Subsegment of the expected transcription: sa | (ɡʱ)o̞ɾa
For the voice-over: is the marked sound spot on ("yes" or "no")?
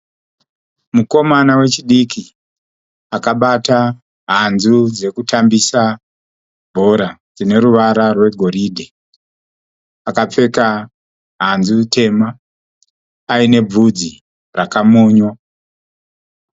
no